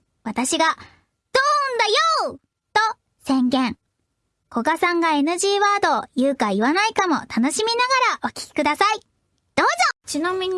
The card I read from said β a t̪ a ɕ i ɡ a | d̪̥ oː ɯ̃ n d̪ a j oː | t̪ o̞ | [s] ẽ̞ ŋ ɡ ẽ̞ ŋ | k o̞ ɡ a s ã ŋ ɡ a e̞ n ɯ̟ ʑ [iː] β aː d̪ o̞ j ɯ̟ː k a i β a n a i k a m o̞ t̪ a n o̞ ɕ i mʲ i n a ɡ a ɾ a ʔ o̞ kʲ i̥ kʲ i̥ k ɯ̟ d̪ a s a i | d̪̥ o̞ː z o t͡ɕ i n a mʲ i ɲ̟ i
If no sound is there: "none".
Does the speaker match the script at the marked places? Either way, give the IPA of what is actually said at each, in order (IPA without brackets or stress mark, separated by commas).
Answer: s, iː